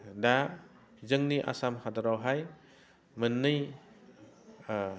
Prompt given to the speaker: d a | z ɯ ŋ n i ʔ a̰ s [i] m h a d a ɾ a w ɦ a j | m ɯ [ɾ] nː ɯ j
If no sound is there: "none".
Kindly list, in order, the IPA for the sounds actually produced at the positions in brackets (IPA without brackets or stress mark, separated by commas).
a, none